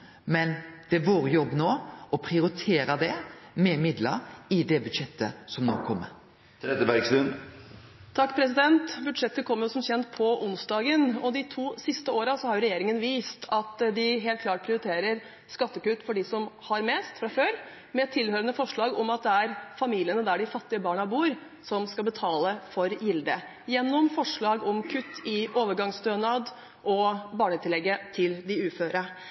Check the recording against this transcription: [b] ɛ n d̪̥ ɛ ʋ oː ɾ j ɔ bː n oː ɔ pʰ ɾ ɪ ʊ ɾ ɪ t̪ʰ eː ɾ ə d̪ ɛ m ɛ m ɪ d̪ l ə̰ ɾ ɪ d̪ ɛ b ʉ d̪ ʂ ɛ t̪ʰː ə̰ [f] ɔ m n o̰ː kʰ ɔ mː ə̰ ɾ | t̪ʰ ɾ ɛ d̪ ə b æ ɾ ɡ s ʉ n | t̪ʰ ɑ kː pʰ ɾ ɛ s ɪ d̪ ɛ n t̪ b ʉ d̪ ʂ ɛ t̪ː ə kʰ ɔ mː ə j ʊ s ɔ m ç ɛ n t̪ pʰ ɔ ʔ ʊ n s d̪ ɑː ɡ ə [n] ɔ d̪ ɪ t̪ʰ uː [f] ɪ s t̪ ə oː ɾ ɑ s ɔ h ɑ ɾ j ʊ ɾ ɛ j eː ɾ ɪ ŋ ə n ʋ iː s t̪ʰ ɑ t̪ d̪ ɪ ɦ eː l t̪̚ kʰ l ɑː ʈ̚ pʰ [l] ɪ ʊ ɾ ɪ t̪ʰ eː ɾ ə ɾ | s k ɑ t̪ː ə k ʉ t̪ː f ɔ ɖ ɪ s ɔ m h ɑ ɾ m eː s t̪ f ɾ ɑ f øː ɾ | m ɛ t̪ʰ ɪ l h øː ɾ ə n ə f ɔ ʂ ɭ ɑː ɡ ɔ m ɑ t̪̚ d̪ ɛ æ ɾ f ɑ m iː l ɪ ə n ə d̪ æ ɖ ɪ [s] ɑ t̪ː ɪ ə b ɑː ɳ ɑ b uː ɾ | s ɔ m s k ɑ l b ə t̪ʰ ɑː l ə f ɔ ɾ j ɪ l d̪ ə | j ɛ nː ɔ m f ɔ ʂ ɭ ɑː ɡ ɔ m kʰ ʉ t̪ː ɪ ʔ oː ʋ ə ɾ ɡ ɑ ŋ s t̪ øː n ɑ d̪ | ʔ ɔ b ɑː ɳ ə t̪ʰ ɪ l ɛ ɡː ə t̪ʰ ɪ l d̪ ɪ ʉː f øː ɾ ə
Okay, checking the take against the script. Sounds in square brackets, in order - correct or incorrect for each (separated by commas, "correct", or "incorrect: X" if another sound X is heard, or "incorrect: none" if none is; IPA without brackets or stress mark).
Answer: incorrect: m, incorrect: s, correct, incorrect: s, incorrect: ɾ, incorrect: f